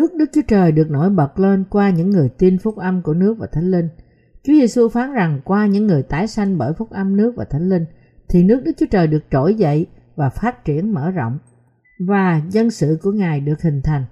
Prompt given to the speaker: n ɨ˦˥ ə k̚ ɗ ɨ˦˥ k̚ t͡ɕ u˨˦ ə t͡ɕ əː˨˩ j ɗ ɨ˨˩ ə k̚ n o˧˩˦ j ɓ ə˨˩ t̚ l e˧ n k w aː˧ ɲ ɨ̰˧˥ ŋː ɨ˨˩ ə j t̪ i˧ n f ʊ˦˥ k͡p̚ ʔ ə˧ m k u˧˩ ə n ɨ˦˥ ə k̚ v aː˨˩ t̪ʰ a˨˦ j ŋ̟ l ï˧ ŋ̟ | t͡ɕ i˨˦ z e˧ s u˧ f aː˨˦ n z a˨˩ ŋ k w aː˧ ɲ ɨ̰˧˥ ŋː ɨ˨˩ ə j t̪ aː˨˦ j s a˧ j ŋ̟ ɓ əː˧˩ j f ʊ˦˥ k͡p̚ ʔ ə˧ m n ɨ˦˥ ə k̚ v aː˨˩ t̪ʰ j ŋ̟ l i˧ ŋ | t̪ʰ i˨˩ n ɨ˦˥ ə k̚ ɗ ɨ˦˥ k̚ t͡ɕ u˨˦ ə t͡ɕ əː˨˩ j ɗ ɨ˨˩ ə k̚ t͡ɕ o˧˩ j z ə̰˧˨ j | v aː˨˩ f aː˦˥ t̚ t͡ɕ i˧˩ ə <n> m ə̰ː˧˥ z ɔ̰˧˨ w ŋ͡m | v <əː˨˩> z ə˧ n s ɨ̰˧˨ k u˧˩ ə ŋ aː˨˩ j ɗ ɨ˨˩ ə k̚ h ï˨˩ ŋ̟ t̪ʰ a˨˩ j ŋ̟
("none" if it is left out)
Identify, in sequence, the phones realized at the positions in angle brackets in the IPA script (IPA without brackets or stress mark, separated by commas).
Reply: n, aː˨˩